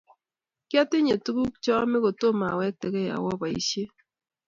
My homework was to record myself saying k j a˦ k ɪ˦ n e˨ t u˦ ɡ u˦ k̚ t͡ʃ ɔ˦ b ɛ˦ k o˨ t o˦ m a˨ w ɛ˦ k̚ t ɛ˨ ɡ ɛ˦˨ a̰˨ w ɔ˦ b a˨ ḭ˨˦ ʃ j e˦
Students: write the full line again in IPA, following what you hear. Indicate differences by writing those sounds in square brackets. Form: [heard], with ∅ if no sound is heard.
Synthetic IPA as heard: k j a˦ [t] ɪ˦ [ɲ] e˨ t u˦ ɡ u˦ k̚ t͡ʃ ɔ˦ [m] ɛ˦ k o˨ t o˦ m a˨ w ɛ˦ k̚ t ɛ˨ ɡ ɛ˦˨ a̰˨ w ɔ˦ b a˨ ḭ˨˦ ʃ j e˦